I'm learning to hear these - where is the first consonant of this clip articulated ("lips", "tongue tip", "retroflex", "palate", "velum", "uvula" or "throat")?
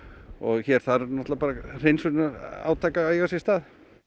velum